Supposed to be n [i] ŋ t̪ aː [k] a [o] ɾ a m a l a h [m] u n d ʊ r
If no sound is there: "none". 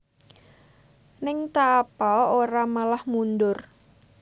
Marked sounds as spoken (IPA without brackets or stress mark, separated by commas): ɪ, p, o, m